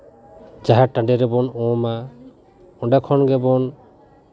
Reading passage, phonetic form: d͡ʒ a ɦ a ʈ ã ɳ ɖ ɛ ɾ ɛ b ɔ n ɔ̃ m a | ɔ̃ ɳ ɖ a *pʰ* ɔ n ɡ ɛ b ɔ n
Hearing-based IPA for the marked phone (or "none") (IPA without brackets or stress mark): kʰ